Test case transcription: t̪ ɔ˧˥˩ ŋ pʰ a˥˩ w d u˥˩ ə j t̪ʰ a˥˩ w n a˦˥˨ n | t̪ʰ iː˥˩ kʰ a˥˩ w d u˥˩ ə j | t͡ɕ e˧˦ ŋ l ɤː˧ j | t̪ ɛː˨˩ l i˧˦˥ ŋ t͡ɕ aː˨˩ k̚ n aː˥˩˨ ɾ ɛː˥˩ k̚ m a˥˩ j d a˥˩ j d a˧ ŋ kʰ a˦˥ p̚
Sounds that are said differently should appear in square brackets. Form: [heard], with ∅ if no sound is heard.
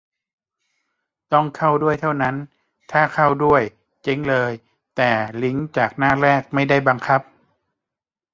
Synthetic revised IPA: t̪ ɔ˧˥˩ ŋ [kʰ] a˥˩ w d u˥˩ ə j t̪ʰ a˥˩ w n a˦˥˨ n | t̪ʰ [aː˥˩] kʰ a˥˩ w d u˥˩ ə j | t͡ɕ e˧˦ ŋ l ɤː˧ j | t̪ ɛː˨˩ l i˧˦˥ ŋ t͡ɕ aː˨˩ k̚ n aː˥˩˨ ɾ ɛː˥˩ k̚ m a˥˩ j d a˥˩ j [b] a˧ ŋ kʰ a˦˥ p̚

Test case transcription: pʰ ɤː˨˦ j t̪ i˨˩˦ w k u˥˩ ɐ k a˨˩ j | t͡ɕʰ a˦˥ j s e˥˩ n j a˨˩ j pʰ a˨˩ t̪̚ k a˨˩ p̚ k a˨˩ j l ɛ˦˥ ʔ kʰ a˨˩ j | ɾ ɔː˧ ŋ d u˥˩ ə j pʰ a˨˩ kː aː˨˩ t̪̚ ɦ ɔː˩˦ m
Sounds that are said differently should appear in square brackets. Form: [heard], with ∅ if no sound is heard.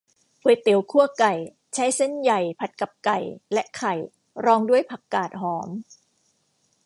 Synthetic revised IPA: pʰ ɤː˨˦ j t̪ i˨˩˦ w [kʰ] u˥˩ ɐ k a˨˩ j | t͡ɕʰ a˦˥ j s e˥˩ n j a˨˩ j pʰ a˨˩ t̪̚ k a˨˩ p̚ k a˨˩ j l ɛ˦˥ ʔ kʰ a˨˩ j | ɾ ɔː˧ ŋ d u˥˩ ə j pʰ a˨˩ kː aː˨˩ t̪̚ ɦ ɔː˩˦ m

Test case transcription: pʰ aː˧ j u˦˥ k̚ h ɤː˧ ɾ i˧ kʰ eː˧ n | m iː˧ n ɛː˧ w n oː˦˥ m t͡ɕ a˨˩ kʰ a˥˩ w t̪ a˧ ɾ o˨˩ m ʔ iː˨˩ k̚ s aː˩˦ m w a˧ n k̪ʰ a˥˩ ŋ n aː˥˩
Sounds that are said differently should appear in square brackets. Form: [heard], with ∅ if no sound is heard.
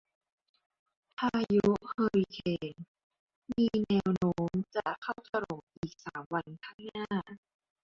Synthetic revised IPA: pʰ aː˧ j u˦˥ [∅] h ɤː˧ ɾ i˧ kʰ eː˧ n | m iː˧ n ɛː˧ w n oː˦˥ m t͡ɕ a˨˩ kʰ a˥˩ w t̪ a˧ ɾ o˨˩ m ʔ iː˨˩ k̚ s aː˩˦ m w a˧ n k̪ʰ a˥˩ ŋ n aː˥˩

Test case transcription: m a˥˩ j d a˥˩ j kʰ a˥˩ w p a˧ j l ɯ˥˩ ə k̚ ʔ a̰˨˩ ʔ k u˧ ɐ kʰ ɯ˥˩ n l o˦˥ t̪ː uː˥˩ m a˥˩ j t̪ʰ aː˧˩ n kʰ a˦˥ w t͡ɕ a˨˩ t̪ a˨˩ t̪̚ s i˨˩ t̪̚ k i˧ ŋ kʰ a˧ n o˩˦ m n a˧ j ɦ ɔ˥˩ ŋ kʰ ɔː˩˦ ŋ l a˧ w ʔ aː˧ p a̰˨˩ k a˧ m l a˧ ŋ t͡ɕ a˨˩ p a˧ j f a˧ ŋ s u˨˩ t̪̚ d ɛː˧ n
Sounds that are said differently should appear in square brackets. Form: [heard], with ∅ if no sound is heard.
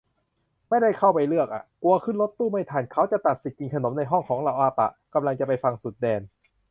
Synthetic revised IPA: m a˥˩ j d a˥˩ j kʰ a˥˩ w p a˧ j l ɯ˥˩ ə k̚ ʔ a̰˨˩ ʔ k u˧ ɐ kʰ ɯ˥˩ n l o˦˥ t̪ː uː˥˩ m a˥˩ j t̪ʰ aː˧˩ n kʰ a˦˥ w t͡ɕ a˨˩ t̪ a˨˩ t̪̚ s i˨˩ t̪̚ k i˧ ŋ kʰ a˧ n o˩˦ m n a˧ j ɦ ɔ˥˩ ŋ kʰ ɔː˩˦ ŋ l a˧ w ʔ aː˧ p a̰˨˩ k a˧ m l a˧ ŋ t͡ɕ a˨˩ p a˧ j f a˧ ŋ s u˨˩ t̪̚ d ɛː˧ n

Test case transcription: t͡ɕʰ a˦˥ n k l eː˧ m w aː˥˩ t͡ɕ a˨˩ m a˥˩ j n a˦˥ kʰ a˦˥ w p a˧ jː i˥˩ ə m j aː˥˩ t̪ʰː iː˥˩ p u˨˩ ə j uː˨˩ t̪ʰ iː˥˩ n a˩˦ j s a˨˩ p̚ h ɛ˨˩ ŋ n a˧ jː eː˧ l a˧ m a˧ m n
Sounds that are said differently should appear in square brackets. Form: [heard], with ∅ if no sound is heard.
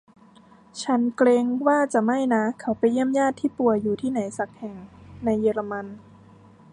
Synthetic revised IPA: t͡ɕʰ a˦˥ n k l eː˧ [ŋ] w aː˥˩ t͡ɕ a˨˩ m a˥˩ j n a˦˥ kʰ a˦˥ w p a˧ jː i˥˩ ə m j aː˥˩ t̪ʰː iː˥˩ p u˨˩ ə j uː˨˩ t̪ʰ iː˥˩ n a˩˦ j s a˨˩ [k̚] h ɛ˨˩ ŋ n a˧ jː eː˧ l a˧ m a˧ [∅] n

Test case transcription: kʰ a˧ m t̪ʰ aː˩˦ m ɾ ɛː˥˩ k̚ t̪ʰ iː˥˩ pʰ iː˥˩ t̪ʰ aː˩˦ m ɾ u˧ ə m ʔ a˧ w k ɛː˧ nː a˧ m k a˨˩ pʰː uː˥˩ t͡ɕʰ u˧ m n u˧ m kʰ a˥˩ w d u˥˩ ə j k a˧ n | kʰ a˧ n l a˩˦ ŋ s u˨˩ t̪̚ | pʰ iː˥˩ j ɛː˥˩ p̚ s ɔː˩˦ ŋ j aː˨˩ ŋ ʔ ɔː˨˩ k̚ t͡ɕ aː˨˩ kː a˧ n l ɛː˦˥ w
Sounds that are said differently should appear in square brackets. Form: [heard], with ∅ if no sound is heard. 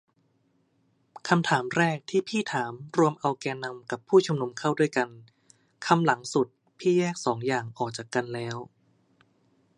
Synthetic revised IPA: kʰ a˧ m t̪ʰ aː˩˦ m ɾ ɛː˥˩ k̚ t̪ʰ iː˥˩ pʰ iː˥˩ t̪ʰ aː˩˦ m ɾ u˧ ə m ʔ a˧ w k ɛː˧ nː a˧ m k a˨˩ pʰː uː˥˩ t͡ɕʰ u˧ m n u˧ m kʰ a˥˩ w d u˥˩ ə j k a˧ n | kʰ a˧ [m] l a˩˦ ŋ s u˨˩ t̪̚ | pʰ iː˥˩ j ɛː˥˩ [k̚] s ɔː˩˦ ŋ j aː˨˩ ŋ ʔ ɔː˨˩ k̚ t͡ɕ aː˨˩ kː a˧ n l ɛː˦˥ w

